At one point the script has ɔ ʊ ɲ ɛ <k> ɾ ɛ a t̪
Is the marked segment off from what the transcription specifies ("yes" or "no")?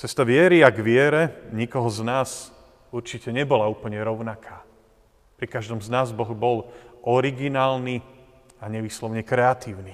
no